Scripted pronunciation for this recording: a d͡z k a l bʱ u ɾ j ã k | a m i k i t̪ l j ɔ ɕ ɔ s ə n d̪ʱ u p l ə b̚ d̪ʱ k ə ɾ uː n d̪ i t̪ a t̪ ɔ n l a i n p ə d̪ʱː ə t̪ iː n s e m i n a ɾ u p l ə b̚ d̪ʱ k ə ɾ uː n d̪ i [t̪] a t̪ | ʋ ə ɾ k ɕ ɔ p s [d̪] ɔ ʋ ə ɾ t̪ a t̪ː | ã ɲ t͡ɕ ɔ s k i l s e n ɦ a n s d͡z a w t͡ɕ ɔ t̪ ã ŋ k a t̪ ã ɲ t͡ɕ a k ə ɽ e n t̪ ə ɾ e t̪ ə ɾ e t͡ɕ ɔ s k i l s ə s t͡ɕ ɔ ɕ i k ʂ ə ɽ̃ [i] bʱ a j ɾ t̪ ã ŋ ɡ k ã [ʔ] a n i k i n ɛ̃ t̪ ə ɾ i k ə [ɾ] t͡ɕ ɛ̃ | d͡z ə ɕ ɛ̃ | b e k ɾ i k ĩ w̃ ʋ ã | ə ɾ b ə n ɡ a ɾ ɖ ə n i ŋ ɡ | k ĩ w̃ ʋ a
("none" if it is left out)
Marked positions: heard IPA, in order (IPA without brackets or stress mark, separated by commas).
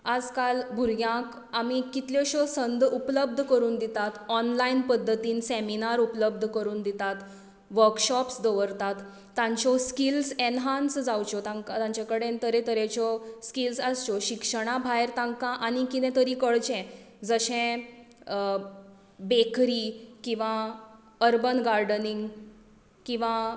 t̪, d̪, a, ʔ, ɭ